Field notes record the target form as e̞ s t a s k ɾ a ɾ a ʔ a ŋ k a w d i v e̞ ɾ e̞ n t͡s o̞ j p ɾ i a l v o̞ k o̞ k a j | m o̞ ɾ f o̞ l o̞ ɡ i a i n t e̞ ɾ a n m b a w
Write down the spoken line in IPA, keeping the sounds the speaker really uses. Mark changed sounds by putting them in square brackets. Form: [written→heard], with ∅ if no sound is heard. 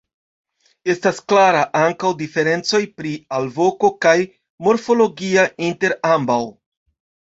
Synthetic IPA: e̞ s t a s k [ɾ→l] a ɾ a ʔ a ŋ k a w d i [v→f] e̞ ɾ e̞ n t͡s o̞ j p ɾ i a l v o̞ k o̞ k a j | m o̞ ɾ f o̞ l o̞ ɡ i a i n t e̞ ɾ a [n→∅] m b a w